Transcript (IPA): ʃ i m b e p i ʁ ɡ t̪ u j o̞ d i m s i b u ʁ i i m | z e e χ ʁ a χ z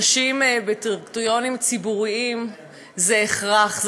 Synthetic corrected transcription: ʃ i m b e t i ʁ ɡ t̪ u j o̞ n i m t͡s i b u ʁ i i m | z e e χ ʁ a χ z